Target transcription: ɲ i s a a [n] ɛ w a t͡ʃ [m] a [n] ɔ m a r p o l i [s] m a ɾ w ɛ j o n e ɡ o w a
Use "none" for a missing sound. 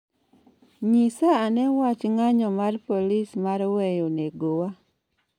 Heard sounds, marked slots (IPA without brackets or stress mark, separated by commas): n, ŋ, ɲ, s